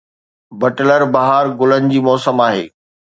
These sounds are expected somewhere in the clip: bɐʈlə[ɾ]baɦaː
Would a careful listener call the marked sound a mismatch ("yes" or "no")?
no